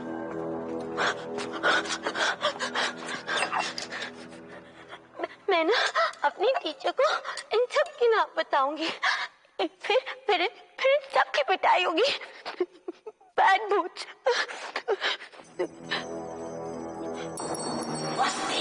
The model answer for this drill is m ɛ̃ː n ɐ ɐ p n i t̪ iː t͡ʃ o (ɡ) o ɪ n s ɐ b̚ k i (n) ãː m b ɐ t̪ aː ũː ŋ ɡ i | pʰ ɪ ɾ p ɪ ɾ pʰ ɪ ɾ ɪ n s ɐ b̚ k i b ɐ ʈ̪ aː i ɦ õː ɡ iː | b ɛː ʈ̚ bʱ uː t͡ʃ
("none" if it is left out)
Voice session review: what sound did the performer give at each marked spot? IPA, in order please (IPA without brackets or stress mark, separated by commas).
k, n